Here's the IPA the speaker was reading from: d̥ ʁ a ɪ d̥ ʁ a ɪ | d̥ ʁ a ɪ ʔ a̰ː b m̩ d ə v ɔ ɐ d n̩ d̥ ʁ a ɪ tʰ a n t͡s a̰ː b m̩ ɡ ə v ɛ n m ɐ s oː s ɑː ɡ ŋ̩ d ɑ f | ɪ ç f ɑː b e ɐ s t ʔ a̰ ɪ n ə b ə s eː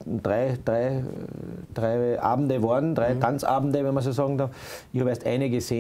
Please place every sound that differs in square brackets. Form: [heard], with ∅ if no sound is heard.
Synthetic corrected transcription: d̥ ʁ a ɪ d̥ ʁ a ɪ | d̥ ʁ a ɪ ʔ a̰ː b m̩ d ə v ɔ ɐ d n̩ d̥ ʁ a ɪ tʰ a n t͡s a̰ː b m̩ [d] ə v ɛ n m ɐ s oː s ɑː ɡ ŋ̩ d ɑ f | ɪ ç [h] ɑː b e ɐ s t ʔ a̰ ɪ n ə [ɡ] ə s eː